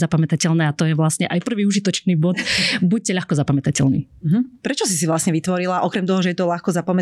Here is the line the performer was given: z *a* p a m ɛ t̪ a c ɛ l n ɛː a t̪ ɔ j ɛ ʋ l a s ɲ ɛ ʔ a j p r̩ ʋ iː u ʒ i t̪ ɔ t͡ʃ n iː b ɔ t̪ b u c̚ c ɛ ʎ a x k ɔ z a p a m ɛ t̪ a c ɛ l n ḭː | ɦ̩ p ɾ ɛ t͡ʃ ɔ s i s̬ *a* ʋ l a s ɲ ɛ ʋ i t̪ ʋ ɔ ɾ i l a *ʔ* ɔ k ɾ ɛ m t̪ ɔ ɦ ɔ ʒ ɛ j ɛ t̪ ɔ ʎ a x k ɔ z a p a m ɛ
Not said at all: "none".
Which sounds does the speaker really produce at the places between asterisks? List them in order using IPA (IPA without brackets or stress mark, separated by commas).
a, i, ʔ